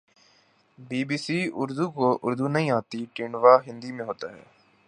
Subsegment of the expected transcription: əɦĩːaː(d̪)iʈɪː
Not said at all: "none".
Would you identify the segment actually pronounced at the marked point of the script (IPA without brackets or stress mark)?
t̪